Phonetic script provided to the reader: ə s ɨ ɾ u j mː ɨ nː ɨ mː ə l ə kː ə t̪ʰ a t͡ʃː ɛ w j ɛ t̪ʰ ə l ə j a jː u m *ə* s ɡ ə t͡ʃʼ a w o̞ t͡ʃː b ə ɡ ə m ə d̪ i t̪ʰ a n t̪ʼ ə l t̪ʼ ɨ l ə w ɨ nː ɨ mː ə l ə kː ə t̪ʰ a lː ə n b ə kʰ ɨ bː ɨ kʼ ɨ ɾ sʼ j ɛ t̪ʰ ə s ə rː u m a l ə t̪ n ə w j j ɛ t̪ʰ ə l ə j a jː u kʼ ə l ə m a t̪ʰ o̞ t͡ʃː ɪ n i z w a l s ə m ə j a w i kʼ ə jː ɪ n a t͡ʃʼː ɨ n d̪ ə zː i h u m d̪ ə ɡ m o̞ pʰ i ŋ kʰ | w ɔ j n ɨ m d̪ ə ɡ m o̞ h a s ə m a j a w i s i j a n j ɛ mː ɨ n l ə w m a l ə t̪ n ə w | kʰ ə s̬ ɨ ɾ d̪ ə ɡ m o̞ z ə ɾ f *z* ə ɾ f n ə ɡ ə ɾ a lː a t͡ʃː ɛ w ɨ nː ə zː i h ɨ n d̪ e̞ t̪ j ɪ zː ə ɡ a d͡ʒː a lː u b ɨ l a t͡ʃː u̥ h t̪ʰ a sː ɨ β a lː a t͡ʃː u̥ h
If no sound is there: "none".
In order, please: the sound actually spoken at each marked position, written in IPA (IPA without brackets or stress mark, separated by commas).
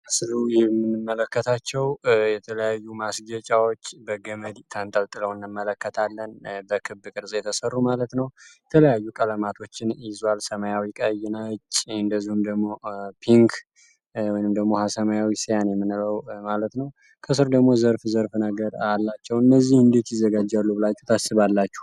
a, z